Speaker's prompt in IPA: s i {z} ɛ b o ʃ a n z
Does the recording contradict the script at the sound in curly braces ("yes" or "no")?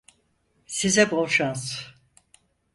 no